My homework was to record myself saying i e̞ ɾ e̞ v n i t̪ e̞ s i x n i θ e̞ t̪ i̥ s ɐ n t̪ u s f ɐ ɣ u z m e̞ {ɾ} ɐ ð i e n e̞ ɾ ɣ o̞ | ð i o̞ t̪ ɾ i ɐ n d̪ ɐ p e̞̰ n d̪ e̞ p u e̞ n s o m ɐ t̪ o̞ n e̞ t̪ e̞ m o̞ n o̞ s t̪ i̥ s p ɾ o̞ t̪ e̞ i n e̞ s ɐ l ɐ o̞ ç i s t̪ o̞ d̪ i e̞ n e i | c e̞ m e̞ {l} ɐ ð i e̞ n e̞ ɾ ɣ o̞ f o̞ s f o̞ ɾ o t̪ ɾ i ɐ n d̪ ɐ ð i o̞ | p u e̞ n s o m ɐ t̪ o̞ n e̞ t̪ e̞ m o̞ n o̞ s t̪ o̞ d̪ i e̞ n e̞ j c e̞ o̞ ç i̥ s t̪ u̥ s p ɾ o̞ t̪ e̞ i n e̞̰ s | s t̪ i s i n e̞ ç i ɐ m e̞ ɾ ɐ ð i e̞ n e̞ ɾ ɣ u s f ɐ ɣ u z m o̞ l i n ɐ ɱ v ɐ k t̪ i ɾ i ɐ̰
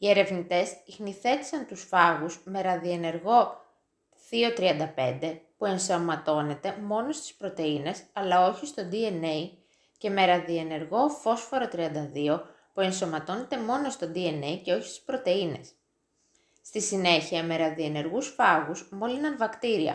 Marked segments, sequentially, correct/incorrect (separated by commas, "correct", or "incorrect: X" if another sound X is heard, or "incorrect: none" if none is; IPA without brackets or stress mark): correct, incorrect: ɾ